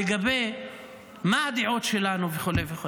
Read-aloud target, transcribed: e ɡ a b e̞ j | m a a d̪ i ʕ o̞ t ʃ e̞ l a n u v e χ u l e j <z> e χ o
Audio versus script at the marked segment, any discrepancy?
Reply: yes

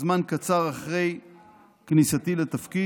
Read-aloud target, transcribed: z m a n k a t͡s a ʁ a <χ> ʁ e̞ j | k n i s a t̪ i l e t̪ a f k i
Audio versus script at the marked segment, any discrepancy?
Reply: no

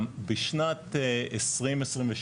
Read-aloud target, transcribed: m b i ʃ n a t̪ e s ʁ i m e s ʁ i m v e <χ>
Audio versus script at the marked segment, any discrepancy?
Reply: yes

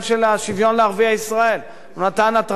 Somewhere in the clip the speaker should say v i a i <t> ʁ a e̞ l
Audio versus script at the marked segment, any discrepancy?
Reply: yes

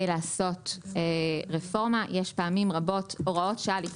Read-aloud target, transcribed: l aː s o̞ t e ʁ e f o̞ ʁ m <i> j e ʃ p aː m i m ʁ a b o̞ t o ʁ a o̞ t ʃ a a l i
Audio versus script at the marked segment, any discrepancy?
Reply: yes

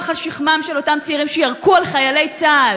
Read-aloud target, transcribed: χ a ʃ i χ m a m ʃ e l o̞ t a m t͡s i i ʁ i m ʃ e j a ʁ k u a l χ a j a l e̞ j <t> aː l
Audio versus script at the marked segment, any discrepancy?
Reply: yes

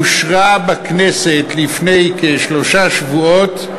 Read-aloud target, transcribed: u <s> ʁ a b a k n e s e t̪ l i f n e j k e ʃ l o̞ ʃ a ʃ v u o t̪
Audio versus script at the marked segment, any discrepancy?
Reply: yes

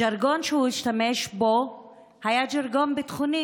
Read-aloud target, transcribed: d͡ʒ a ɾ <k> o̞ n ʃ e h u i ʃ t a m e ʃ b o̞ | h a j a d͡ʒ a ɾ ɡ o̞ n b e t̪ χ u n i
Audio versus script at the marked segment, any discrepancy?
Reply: yes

